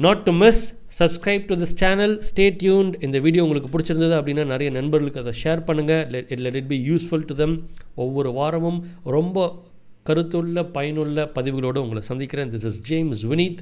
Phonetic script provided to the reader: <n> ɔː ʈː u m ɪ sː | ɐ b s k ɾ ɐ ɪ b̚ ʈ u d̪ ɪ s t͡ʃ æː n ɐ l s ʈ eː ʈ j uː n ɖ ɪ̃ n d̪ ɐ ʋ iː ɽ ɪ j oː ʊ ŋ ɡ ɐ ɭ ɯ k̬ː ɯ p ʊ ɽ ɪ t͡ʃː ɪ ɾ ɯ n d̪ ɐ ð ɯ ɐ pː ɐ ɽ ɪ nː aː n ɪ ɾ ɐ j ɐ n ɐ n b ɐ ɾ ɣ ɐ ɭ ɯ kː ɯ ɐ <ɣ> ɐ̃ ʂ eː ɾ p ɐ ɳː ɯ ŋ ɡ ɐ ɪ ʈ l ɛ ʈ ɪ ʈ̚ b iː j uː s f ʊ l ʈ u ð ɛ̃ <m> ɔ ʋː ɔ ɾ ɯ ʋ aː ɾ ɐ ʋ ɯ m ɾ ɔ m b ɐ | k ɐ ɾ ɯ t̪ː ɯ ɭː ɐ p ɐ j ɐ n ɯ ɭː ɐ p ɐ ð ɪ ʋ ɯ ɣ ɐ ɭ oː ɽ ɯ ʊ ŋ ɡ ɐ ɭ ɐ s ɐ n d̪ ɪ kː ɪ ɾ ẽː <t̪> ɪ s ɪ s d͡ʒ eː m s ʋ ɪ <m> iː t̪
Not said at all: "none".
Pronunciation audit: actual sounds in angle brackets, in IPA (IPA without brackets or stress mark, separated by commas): n, ð, m, d̪, n